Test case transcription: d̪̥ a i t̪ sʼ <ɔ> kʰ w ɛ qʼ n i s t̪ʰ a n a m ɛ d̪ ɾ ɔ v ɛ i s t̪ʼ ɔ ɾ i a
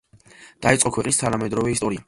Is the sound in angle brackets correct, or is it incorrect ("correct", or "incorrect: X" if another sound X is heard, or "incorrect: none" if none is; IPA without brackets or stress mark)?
correct